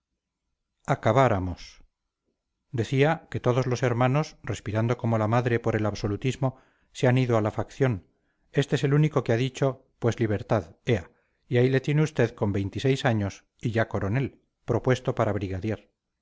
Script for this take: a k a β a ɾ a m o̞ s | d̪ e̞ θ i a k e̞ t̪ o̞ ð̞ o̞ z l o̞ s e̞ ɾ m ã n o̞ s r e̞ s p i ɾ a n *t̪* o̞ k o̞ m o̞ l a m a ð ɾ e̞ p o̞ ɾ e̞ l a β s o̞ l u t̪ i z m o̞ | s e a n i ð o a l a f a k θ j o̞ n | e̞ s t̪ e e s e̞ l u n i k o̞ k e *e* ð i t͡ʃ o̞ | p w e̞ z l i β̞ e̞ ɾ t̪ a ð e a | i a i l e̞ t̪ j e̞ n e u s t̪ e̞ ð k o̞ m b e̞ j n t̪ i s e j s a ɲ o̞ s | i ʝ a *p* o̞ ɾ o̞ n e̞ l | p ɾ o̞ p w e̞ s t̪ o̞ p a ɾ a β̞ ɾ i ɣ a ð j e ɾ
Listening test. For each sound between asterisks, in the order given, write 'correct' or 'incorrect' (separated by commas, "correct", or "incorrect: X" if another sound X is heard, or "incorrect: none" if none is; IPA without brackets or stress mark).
incorrect: d̪, incorrect: a, incorrect: k